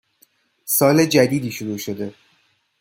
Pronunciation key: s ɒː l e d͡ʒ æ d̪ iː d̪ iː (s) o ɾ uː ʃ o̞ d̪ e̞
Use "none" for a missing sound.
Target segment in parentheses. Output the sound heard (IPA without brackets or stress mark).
ʃ